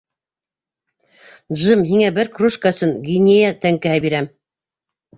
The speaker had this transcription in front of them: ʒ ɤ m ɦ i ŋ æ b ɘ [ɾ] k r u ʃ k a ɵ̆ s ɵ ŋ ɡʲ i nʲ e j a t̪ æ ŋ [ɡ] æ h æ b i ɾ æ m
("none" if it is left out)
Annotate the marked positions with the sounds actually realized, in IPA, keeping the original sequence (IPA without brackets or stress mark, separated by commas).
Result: ɾ, k